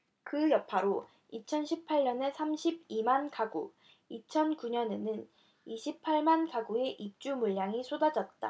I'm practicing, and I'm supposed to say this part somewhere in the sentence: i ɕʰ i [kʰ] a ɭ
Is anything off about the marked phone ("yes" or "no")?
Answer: yes